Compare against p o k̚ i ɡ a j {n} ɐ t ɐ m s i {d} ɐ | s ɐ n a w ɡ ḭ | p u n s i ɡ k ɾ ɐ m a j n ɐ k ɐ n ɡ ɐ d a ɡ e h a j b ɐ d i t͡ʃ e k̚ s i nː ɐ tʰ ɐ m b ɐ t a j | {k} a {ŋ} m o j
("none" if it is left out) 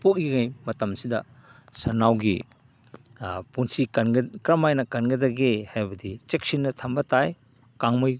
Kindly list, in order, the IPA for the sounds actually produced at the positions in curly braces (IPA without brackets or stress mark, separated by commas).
m, d, k, ŋ